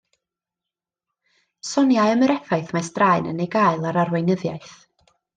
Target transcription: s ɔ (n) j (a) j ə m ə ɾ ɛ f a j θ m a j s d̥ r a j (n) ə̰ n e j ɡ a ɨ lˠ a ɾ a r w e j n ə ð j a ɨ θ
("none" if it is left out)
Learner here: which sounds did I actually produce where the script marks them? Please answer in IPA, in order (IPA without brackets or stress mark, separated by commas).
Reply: n, a, n